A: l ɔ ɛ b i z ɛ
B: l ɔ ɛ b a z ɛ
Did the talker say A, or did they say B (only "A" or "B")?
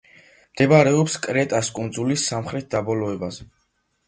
B